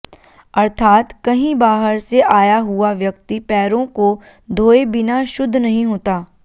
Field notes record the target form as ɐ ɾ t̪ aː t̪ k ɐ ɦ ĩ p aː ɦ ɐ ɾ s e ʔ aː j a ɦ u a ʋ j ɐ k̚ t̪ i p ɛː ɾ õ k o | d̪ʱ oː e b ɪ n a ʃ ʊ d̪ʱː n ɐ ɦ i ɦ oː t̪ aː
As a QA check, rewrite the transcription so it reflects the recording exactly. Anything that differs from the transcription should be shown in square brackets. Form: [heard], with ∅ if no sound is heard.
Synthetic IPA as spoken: ɐ ɾ [t̪ʰ] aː t̪ k ɐ ɦ ĩ [b] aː ɦ [ə] ɾ s e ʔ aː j a ɦ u a ʋ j ɐ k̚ t̪ i p ɛː ɾ õ k o | d̪ʱ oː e b ɪ n a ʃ ʊ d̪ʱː n ɐ ɦ [ĩ] ɦ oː t̪ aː

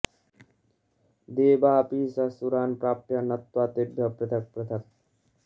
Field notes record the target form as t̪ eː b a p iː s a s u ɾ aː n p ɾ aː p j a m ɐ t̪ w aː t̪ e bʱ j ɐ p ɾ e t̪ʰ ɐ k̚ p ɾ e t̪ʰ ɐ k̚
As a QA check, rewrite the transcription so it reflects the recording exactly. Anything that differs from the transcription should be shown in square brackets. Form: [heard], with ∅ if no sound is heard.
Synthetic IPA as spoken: [d̪] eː b a p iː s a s u ɾ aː n p ɾ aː p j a [n] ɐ t̪ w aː t̪ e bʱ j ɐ p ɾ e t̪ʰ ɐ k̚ p ɾ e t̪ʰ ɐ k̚

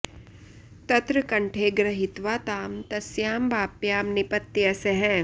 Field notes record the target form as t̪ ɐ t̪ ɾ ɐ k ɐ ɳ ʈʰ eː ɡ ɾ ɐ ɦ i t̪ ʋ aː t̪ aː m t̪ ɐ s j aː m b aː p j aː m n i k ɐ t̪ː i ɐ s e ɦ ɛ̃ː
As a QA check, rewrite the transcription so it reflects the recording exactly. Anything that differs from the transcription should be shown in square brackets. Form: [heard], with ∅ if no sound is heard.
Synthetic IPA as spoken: t̪ ɐ t̪ ɾ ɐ k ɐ ɳ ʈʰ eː ɡ ɾ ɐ ɦ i t̪ ʋ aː t̪ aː m t̪ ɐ s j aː m b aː p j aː m n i [p] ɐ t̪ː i ɐ s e ɦ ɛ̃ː

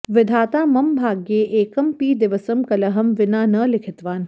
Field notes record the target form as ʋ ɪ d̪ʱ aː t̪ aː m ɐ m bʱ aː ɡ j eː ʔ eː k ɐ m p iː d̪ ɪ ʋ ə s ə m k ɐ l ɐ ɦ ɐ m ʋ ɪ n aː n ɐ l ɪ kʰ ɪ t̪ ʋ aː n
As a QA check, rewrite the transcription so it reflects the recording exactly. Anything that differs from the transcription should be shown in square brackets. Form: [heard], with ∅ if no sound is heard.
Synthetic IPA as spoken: ʋ ɪ d̪ʱ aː t̪ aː m ɐ m bʱ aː ɡ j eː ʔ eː k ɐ m p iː d̪ ɪ ʋ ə s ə m k ɐ l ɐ ɦ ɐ m ʋ ɪ n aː n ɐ l ɪ kʰ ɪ t̪ ʋ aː n

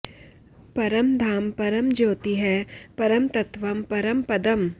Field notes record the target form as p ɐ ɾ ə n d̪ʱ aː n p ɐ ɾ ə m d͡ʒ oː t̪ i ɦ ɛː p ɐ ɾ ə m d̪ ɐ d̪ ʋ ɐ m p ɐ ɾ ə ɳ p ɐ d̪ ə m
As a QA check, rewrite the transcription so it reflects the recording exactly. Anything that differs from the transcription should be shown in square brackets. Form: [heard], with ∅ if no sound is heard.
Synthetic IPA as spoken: p ɐ ɾ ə [m] d̪ʱ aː [m] p ɐ ɾ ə m d͡ʒ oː t̪ i ɦ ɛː p ɐ ɾ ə m [t̪] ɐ [t̪] ʋ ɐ m p ɐ ɾ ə [m] p ɐ d̪ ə m

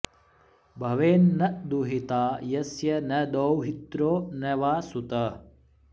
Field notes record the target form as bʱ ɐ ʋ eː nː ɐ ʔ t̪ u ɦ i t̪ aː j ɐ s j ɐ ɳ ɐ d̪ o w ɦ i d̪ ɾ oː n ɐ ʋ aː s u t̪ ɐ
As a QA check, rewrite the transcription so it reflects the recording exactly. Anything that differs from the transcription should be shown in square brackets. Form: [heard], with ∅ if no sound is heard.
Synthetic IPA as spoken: bʱ ɐ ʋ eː nː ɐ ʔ [d̪] u ɦ i t̪ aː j ɐ s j ɐ [n] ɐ d̪ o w ɦ i [t̪] ɾ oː n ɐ ʋ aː s u t̪ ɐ

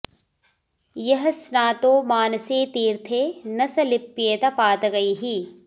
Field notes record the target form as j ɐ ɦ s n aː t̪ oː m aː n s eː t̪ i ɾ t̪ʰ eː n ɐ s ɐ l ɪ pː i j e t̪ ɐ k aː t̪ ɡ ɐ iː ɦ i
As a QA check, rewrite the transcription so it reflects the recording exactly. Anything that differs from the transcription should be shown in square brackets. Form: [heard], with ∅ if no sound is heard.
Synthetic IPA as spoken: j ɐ ɦ s n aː t̪ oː m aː n s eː t̪ [iː] ɾ t̪ʰ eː n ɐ s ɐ l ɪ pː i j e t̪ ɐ [p] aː t̪ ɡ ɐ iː ɦ i

